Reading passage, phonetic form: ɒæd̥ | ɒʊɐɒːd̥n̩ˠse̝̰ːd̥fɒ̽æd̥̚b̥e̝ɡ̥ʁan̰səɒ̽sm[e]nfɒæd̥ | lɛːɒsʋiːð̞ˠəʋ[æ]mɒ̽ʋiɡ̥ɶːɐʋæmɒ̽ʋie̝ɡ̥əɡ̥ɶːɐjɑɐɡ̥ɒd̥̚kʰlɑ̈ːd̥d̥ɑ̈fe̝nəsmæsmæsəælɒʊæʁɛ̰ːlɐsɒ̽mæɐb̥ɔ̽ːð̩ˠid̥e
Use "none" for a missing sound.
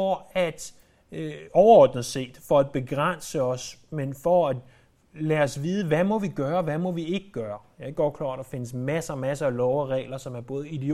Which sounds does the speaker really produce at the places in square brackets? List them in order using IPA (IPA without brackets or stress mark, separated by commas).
e, æ